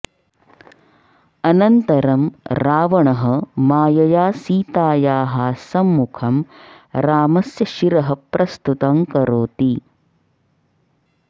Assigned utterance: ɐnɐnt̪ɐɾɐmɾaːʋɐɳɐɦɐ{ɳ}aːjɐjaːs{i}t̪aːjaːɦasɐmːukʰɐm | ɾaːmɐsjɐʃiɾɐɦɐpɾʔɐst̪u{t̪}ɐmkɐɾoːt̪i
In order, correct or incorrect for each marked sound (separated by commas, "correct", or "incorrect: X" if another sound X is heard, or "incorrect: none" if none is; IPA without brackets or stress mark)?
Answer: incorrect: m, incorrect: iː, correct